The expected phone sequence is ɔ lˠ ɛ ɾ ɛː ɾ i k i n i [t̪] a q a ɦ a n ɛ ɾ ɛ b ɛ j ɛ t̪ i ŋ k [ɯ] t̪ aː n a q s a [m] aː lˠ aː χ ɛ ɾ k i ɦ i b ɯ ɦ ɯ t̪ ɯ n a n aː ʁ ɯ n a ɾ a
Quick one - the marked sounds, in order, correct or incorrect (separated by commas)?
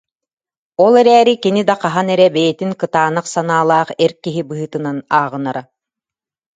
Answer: incorrect, correct, incorrect